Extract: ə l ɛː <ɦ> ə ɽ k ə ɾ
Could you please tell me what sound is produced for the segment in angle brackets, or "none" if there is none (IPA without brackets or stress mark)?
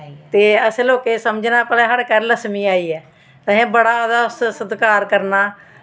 ɦ